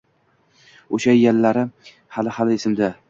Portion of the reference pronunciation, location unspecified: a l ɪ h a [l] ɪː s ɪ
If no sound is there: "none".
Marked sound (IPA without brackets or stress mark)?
l